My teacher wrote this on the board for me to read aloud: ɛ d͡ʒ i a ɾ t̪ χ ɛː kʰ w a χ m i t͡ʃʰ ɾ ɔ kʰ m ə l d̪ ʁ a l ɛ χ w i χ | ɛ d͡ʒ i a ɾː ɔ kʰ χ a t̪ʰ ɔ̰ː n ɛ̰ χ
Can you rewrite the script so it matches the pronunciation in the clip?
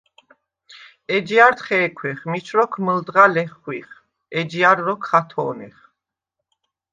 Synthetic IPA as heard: ɛ d͡ʒ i a ɾ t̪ χ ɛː kʰ w ɛ χ m i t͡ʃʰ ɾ ɔ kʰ m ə l d̪ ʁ a l ɛ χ w i χ | ɛ d͡ʒ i a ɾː ɔ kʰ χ a t̪ʰ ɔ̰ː n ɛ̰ χ